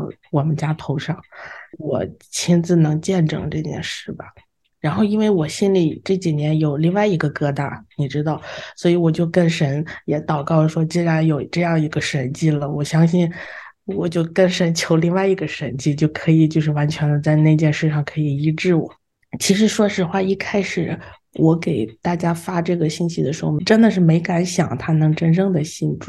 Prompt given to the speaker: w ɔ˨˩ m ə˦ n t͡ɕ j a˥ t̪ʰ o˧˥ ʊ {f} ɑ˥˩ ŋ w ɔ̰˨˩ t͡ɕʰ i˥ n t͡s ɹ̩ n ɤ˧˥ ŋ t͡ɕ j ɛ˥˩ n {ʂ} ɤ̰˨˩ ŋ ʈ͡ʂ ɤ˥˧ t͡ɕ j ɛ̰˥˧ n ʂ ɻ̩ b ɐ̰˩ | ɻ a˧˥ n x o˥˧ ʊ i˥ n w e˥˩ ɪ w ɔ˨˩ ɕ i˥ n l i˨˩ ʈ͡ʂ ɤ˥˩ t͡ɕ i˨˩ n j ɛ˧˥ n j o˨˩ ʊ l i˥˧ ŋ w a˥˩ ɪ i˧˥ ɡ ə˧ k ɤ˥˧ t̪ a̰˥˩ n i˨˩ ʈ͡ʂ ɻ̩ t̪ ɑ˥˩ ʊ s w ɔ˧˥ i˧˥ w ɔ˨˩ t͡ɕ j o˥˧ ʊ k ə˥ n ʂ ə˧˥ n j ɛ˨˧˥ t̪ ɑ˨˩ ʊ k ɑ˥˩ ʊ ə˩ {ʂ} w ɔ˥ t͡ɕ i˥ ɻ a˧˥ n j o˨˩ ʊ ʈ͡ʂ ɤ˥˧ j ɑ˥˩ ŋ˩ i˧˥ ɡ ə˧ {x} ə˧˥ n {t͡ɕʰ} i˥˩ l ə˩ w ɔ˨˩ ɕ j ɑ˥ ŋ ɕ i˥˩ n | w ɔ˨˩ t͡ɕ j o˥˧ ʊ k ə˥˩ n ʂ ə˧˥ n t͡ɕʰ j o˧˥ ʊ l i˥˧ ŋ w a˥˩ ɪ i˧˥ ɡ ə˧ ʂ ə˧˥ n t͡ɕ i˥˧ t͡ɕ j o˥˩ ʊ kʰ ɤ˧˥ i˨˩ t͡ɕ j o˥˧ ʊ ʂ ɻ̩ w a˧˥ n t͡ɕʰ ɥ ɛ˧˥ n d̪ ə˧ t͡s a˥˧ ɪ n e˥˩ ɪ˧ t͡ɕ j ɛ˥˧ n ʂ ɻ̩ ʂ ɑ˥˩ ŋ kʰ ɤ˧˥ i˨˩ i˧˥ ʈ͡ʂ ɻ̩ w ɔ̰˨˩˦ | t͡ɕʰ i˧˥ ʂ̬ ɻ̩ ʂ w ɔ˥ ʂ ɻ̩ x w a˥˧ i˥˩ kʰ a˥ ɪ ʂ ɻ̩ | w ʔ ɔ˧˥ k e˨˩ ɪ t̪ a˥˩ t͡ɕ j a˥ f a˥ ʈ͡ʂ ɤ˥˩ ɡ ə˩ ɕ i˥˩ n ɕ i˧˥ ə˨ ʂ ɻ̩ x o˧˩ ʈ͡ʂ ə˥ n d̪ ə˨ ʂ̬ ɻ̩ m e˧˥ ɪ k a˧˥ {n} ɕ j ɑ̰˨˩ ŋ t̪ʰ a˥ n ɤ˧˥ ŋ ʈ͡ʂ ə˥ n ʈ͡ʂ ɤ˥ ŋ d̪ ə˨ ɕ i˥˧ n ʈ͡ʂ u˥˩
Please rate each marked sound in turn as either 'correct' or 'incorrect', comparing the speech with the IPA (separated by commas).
incorrect, incorrect, correct, incorrect, incorrect, correct